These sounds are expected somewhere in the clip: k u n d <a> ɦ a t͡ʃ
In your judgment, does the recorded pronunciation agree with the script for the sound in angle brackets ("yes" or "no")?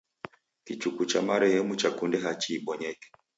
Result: no